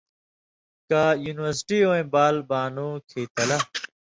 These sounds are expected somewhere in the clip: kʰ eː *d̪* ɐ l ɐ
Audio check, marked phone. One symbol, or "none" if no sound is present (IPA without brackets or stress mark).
t̪